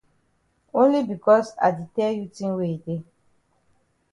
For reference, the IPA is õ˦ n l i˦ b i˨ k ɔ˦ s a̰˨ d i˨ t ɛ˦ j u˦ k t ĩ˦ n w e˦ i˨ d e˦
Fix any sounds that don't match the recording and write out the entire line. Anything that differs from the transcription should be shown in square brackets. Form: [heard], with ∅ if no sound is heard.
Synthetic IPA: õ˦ n l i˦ b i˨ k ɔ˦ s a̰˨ d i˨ t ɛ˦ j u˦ [∅] t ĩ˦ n w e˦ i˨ d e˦